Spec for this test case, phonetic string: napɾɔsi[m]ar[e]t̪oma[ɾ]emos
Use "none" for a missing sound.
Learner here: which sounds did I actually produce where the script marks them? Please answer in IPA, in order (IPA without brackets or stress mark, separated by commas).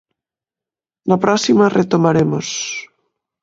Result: m, e, ɾ